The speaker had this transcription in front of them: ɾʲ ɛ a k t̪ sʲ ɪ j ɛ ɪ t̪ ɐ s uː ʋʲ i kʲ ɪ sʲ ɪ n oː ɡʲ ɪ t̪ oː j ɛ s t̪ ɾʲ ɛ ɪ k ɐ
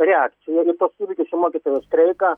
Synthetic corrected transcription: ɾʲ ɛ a k t̪ sʲ ɪ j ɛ ɪ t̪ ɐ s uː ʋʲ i kʲ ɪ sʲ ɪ m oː kʲ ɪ t̪ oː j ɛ s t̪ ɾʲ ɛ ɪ k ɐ